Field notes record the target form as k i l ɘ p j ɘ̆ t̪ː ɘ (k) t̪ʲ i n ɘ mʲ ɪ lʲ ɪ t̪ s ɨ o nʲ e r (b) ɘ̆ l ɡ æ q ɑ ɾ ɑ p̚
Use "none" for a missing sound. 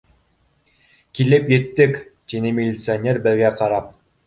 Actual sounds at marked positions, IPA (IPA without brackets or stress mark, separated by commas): k, b